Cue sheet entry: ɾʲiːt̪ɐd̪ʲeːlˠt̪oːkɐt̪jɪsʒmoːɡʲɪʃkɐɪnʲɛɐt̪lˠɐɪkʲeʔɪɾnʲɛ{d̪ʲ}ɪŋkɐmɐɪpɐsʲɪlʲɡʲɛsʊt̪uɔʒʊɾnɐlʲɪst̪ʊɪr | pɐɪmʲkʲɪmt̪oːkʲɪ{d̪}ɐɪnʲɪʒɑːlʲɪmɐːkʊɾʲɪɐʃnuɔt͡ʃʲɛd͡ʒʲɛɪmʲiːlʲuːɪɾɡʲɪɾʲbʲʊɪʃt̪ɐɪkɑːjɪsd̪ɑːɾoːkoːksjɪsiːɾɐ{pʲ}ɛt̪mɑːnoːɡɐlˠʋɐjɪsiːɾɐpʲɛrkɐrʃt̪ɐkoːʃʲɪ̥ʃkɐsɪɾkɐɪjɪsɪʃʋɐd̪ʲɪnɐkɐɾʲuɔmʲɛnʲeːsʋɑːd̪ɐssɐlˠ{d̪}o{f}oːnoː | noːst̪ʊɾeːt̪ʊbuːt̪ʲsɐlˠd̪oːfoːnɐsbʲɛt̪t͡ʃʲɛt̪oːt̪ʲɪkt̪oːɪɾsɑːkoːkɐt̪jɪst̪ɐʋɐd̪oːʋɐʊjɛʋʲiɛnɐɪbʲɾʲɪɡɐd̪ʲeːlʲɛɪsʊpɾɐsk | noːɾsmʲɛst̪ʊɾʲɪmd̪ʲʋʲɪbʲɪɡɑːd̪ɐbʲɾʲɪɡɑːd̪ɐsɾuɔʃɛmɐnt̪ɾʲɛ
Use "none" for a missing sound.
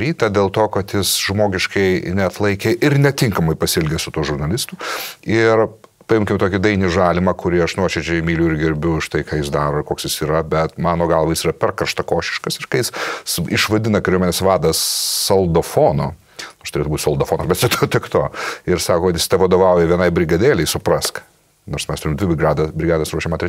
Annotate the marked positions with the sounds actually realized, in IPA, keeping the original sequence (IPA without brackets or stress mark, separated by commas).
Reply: t̪ʲ, d̪, bʲ, d̪, f